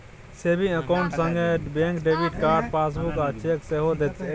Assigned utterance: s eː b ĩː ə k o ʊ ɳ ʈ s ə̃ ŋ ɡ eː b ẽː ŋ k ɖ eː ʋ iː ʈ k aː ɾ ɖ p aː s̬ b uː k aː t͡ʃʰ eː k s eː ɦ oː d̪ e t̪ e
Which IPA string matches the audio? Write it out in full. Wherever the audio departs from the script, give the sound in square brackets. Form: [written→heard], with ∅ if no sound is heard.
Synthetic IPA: s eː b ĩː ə k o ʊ ɳ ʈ s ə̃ ŋ ɡ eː b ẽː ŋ k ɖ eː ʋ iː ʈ k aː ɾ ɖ p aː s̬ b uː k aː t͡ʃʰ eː k s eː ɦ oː d̪ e t̪ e